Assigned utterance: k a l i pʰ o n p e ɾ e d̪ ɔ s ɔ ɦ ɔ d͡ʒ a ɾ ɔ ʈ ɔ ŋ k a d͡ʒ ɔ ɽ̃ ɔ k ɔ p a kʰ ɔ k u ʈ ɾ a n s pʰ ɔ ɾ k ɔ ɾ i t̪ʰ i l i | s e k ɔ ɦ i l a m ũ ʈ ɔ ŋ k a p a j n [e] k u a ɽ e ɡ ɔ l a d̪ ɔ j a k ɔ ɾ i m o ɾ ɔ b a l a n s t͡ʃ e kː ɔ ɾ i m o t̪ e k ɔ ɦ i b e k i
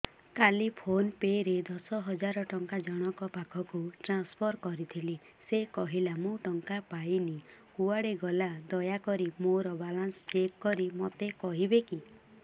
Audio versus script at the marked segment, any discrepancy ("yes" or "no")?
yes